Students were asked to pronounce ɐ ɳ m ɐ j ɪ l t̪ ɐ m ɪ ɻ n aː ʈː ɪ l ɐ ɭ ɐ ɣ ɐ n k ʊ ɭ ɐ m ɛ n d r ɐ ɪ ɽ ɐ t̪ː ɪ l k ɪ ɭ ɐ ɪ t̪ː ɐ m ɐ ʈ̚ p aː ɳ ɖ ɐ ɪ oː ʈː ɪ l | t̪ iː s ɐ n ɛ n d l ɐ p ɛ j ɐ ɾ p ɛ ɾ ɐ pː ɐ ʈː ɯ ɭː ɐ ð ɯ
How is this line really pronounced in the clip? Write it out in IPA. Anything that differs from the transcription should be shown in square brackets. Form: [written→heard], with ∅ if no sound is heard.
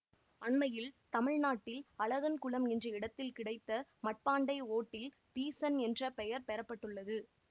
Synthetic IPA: ɐ ɳ m ɐ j ɪ l t̪ ɐ m ɪ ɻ n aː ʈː ɪ l ɐ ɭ ɐ ɣ ɐ n k ʊ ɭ ɐ m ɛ n d r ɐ ɪ ɽ ɐ t̪ː ɪ l k ɪ [ɭ→ɽ] ɐ ɪ t̪ː ɐ m ɐ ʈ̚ p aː ɳ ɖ ɐ ɪ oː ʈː ɪ l | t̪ iː s ɐ n ɛ n d [l→r] ɐ p ɛ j ɐ ɾ p ɛ ɾ ɐ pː ɐ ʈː ɯ ɭː ɐ ð ɯ